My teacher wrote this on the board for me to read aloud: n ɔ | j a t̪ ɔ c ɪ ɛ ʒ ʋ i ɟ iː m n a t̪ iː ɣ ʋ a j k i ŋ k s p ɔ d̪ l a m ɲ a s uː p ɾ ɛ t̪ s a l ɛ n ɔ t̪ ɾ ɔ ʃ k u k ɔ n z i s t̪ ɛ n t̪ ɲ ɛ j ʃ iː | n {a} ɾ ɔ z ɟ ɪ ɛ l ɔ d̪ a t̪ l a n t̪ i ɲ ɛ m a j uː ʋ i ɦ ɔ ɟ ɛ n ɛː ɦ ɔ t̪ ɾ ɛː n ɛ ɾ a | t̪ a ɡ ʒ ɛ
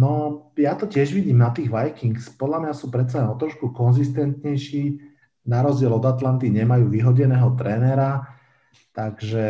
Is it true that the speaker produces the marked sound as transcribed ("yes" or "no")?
yes